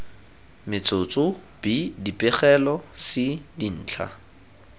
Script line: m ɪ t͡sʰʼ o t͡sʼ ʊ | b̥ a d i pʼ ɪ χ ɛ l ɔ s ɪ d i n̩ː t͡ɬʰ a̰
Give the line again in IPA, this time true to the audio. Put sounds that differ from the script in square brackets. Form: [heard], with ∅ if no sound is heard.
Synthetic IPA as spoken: m ɪ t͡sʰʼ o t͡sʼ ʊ | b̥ [i] d i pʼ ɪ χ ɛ l ɔ s ɪ d i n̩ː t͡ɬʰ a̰